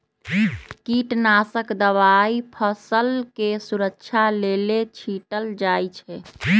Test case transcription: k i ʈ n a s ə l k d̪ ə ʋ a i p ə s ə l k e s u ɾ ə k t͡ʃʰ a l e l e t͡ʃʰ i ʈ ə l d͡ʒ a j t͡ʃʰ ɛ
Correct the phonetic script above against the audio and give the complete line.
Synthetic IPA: k i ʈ n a s ə k d̪ ə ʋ a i pʰ ə s ə l k e s u ɾ ə k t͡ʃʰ a l e l e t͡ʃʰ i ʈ ə l d͡ʒ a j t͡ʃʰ ɛ